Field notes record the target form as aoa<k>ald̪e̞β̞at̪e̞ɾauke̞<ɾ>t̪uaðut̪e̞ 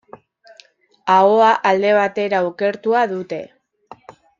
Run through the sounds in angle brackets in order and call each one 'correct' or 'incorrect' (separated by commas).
incorrect, correct